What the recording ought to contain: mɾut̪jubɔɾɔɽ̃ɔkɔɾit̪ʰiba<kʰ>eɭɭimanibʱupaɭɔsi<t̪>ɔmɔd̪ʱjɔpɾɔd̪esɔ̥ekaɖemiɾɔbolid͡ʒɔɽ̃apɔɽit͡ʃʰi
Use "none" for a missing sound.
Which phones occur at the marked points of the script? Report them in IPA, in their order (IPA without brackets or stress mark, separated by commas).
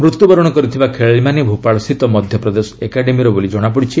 kʰ, t̪